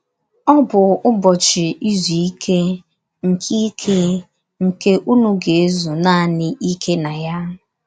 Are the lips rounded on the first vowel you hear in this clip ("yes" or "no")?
yes